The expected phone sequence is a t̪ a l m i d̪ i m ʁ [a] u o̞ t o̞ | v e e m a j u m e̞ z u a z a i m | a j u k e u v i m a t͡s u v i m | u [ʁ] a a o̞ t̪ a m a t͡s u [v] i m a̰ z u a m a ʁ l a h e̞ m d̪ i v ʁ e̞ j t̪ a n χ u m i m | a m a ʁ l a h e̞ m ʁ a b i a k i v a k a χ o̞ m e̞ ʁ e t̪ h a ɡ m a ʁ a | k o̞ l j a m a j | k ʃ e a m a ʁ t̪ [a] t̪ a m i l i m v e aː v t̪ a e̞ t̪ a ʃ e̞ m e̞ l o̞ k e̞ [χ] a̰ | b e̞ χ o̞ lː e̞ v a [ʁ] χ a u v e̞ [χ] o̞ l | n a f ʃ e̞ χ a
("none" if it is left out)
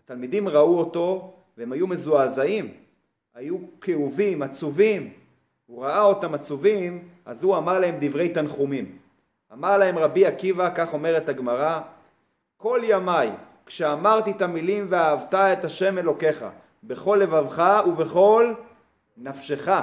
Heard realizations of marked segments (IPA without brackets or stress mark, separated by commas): a, ʁ, v, i, χ, v, χ